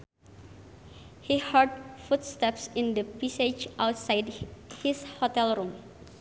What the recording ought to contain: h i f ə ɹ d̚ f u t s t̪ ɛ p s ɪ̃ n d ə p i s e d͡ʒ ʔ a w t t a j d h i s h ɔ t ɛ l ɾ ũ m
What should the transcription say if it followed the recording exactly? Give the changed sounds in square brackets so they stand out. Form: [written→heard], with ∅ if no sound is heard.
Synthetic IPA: h i [f→h] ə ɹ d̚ f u t s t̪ ɛ p s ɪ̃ n d ə p i s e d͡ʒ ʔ a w t [t→s] a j d h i s h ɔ t ɛ l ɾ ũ m